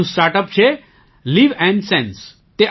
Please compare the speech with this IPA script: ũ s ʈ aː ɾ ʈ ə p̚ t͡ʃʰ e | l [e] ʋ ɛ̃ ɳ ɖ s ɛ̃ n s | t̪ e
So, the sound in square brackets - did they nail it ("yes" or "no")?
no